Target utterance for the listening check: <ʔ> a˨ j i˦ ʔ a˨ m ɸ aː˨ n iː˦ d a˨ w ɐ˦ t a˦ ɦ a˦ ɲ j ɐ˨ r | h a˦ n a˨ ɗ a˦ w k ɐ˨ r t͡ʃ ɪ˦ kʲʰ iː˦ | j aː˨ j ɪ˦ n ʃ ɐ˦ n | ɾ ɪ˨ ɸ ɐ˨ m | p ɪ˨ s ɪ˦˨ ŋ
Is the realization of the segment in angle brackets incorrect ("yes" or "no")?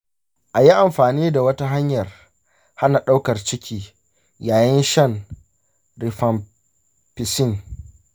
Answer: no